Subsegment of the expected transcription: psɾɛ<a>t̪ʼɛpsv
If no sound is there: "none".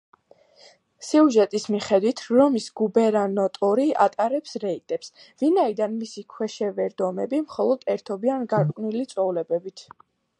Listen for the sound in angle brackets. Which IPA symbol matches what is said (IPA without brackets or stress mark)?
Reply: i